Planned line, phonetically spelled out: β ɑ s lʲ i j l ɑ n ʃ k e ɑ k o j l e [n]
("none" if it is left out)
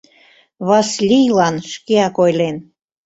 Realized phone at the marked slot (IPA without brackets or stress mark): n